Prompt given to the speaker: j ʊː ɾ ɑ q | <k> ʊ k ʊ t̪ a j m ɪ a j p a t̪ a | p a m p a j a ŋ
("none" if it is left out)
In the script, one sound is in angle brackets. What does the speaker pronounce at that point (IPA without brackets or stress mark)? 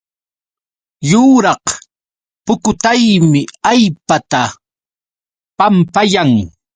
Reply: p